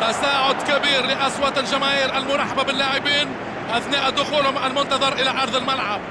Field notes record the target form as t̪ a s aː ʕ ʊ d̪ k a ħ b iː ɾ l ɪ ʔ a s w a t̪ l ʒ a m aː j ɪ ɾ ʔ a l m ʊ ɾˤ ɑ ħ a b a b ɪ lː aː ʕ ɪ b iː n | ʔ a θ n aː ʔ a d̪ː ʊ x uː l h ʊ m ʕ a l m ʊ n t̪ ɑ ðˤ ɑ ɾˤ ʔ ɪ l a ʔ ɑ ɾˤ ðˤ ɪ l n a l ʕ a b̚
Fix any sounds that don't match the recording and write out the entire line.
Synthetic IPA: t̪ a s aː ʕ ʊ d̪ k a b iː ɾ l ɪ ʔ a s w a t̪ l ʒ a m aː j ɪ ɾ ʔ a l m ʊ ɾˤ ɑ ħ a b a b ɪ lː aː ʕ ɪ b iː n | ʔ a θ n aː ʔ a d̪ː ʊ x uː l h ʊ m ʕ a l m ʊ n t̪ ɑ ðˤ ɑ ɾˤ ʔ ɪ l a ʔ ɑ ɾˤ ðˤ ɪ l m a l ʕ a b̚